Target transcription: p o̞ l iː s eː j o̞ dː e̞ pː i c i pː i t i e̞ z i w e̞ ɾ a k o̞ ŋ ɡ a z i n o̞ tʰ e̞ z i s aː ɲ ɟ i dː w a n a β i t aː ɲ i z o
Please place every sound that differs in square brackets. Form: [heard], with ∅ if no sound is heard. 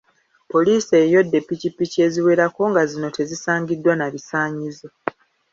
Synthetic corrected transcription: p o̞ l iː s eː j o̞ dː e̞ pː i c i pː i [c] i e̞ z i w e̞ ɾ a k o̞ ŋ ɡ a z i n o̞ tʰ e̞ z i s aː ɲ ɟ i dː w a n a β i [s] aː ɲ i z o